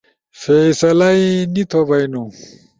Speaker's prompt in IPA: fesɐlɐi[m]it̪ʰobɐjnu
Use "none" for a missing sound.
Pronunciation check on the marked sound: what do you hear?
n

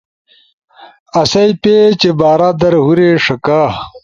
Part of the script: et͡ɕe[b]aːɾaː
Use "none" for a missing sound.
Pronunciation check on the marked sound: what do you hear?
b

